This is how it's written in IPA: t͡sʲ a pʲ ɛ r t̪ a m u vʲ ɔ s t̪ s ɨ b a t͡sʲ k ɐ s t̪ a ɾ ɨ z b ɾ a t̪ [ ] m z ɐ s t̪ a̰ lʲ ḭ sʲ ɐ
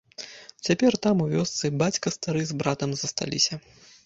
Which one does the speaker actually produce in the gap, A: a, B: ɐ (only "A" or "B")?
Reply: B